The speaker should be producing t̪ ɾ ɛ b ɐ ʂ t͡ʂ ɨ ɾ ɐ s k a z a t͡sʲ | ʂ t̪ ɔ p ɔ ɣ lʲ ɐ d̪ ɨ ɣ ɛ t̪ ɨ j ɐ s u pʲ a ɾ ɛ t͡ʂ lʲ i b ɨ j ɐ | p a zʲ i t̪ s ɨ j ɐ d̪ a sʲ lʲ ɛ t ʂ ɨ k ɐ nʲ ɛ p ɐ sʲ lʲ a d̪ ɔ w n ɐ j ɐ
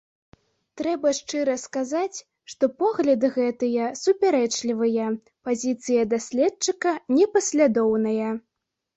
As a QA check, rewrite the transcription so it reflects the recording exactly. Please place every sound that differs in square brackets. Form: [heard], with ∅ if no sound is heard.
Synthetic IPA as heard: t̪ ɾ ɛ b ɐ ʂ t͡ʂ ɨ ɾ ɐ s k a z a t͡sʲ | ʂ t̪ ɔ p ɔ ɣ lʲ ɐ d̪ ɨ ɣ ɛ t̪ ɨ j ɐ s u pʲ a ɾ ɛ t͡ʂ lʲ i [v] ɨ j ɐ | p a zʲ i t̪ s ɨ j ɐ d̪ a sʲ lʲ ɛ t [t͡ʂ] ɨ k ɐ nʲ ɛ p ɐ sʲ lʲ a d̪ ɔ w n ɐ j ɐ